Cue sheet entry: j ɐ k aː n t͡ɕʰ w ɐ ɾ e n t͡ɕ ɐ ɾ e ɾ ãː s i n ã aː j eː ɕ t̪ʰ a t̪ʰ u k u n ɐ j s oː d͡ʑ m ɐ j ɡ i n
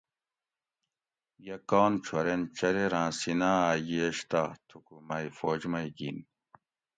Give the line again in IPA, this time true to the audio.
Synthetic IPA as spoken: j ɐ k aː n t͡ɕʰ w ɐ ɾ e n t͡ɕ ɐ ɾ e ɾ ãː s i n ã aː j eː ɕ t̪ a t̪ʰ u k u m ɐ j f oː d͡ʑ m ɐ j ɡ i n